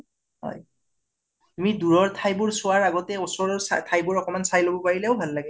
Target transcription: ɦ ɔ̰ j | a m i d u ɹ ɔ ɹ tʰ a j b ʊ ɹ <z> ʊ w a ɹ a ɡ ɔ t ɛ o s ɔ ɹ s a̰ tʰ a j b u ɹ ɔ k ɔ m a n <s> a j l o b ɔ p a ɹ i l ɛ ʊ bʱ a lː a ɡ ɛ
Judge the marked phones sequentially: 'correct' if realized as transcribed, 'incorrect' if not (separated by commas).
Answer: incorrect, correct